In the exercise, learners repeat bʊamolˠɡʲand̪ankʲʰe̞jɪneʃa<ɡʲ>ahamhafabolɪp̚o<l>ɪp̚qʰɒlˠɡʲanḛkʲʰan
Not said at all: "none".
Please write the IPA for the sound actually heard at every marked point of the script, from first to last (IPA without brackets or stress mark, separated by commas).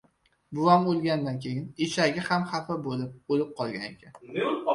ɡʲ, l